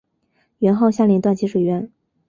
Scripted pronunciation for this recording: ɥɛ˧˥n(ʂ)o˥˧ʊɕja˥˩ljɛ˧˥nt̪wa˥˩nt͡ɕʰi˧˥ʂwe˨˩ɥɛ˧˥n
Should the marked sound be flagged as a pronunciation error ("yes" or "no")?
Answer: yes